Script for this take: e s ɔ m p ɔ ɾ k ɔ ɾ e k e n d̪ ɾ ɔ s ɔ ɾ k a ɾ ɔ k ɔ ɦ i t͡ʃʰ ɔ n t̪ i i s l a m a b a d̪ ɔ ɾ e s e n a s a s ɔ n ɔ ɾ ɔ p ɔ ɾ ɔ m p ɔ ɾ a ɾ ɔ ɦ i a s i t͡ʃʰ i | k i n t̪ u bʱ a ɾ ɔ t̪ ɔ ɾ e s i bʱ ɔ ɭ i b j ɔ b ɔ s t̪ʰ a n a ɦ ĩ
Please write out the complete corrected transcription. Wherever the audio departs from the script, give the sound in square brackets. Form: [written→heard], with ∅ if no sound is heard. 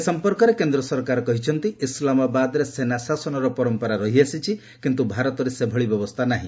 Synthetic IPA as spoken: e s ɔ m p ɔ ɾ k ɔ ɾ e k e n d̪ ɾ ɔ s ɔ ɾ k a ɾ ɔ k ɔ ɦ i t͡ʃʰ ɔ n t̪ i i s l a m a b a d̪ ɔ ɾ e s e n a s a s ɔ n ɔ ɾ ɔ p ɔ ɾ ɔ m p ɔ ɾ a ɾ ɔ ɦ i a s i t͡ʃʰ i | k i n t̪ u bʱ a ɾ ɔ t̪ ɔ ɾ e s [i→e] bʱ ɔ ɭ i b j ɔ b ɔ s t̪ʰ a n a ɦ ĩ